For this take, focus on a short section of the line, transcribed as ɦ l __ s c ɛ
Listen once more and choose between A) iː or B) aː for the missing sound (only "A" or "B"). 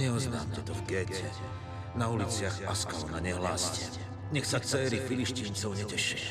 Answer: B